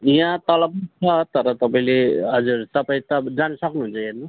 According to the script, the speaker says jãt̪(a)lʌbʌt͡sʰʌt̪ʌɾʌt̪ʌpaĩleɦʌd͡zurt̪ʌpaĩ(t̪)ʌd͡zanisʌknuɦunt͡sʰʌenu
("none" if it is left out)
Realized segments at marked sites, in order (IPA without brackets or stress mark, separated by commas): ʌ, t̪